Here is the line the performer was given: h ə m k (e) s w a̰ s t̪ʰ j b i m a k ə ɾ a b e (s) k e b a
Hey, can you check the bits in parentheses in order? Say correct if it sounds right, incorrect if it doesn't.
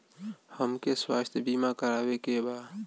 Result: correct, incorrect: none

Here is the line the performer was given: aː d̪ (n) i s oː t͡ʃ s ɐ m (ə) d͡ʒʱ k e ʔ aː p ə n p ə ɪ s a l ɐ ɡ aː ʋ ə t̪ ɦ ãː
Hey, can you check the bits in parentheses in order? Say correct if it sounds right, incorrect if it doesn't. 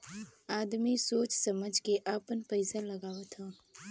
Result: incorrect: m, correct

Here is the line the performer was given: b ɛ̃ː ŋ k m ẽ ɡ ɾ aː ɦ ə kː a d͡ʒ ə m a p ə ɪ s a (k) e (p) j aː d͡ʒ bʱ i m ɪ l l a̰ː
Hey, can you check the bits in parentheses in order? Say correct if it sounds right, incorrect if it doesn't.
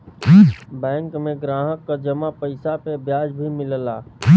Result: incorrect: p, incorrect: b

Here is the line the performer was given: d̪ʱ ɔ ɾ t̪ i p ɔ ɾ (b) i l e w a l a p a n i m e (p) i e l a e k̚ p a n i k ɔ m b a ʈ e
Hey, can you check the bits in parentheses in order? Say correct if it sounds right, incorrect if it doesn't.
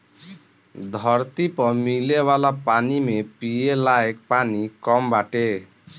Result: incorrect: m, correct

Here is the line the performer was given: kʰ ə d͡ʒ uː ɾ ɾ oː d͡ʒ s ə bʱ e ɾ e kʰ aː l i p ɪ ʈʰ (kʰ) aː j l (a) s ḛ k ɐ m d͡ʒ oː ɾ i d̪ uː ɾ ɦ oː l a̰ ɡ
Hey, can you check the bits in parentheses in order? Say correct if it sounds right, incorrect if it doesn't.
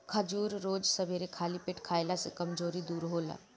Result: correct, correct

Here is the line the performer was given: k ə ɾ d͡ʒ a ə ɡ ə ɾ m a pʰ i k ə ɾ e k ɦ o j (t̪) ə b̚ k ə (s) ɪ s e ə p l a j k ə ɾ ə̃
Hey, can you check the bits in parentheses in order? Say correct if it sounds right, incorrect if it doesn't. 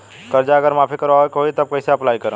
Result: correct, incorrect: none

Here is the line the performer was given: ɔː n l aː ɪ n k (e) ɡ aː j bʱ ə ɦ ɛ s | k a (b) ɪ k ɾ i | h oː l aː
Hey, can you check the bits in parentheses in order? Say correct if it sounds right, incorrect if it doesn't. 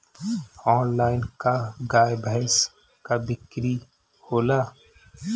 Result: incorrect: a, correct

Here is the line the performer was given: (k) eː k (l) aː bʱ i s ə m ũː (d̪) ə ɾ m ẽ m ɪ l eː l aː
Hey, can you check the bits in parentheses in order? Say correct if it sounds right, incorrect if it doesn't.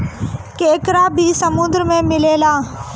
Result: correct, incorrect: ɾ, correct

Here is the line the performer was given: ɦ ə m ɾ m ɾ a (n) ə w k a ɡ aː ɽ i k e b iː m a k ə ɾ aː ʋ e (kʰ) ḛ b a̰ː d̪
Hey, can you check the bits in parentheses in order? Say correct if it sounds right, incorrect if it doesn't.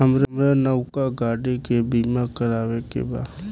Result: correct, incorrect: k

